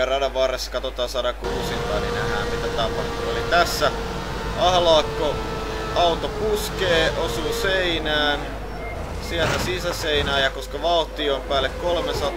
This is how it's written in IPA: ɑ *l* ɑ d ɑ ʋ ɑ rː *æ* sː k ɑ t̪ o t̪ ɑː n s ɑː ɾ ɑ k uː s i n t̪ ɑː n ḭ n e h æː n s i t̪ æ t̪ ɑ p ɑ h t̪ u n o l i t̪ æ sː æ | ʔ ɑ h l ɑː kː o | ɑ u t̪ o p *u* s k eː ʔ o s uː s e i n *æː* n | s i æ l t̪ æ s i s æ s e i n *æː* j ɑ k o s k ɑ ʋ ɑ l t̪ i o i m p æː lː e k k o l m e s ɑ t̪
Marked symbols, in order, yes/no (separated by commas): no, no, yes, yes, yes